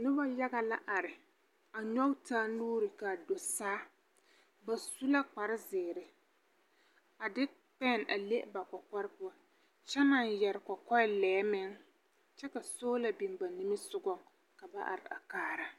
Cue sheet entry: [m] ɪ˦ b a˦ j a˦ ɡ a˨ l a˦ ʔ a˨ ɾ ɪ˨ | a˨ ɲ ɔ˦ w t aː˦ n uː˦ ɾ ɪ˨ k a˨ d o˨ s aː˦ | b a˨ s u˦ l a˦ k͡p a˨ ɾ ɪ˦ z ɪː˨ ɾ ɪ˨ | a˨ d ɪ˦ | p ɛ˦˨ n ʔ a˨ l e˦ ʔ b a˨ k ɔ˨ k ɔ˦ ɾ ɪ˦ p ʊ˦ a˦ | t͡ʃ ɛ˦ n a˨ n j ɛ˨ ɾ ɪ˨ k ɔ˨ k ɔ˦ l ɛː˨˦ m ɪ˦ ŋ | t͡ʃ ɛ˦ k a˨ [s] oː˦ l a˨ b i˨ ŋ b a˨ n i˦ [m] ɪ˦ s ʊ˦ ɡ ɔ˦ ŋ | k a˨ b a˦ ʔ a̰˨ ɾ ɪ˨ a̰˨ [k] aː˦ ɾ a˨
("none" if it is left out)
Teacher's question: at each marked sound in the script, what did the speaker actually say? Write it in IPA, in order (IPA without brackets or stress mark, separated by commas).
n, s, m, k